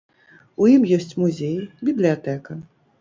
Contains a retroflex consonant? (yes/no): no